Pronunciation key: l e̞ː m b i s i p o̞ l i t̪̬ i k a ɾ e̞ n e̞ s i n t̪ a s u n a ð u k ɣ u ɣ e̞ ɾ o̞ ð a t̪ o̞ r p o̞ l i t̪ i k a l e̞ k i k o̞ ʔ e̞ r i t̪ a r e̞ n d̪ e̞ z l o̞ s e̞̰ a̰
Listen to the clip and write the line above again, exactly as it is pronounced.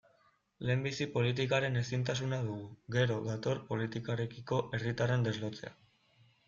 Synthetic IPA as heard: l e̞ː m b i s i p o̞ l i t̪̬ i k a ɾ e̞ n e̞ s i n t̪ a s u n a ð u ɣ u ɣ e̞ ɾ o̞ ð a t̪ o̞ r p o̞ l i t̪ i k a ɾ e̞ k i k o̞ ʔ e̞ r i t̪ a r e̞ n d̪ e̞ z l o̞ t͡s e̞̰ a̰